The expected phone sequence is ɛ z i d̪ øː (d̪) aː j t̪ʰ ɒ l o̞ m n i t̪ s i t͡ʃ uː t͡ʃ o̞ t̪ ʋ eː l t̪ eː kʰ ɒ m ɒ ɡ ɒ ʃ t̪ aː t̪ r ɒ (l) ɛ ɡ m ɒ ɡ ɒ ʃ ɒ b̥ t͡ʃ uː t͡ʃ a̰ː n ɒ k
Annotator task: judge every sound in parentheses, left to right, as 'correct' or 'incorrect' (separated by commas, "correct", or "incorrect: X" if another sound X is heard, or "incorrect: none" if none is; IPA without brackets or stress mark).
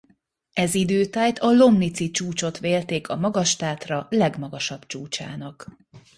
incorrect: t̪, correct